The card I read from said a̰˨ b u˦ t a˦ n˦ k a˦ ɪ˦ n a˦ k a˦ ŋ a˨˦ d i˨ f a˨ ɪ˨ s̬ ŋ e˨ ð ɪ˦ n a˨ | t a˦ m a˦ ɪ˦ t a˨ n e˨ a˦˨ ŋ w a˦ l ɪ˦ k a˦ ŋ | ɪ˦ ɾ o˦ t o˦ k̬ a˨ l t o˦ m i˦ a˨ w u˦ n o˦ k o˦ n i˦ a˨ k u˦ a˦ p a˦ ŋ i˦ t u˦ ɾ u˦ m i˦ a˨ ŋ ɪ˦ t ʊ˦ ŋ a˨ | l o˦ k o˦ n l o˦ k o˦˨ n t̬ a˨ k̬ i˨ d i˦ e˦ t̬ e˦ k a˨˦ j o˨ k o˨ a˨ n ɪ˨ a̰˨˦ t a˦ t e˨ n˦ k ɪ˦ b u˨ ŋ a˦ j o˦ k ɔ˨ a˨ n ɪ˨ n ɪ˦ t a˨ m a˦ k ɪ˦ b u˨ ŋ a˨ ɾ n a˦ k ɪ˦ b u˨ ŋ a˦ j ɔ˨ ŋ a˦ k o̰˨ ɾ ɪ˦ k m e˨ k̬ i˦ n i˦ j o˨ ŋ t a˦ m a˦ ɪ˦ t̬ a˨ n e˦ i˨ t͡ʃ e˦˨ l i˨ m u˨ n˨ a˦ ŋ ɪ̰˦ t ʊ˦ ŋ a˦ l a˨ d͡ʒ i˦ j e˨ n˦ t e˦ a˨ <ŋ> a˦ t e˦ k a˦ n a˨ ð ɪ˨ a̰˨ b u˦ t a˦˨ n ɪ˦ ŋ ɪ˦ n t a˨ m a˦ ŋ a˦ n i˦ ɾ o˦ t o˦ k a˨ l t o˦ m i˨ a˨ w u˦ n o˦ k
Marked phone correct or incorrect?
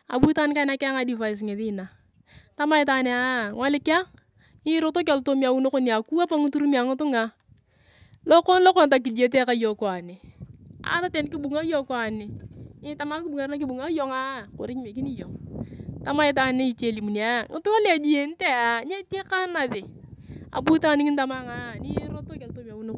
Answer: incorrect